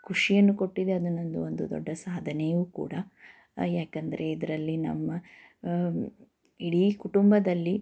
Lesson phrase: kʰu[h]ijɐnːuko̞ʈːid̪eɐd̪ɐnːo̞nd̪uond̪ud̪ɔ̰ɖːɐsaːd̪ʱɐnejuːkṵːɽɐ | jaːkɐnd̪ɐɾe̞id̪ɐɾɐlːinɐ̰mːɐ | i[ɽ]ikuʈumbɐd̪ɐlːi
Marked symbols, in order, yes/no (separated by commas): no, yes